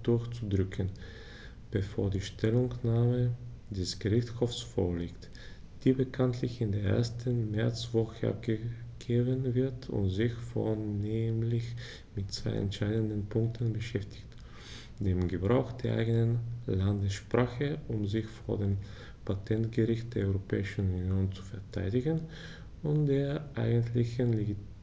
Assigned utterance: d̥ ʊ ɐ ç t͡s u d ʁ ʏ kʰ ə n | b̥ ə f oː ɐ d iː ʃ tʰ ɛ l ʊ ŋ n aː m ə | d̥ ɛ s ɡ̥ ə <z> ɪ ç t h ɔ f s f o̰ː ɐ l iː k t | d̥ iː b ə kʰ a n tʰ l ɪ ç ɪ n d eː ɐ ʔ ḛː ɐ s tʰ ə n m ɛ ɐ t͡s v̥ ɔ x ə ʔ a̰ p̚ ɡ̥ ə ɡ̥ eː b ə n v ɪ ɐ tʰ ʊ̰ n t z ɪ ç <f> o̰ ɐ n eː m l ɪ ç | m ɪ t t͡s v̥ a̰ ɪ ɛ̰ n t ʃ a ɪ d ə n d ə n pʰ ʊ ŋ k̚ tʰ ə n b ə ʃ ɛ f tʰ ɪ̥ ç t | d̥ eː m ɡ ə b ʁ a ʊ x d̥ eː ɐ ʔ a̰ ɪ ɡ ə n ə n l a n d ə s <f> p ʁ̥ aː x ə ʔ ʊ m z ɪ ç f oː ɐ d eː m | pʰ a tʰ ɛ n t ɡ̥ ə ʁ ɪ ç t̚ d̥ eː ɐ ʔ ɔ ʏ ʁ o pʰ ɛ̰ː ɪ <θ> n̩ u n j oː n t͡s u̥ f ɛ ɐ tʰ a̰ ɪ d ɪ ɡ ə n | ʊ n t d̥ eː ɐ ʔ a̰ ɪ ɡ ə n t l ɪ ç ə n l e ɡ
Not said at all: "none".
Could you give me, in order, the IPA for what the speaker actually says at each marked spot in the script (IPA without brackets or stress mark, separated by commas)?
ʁ, f, ʃ, ʃ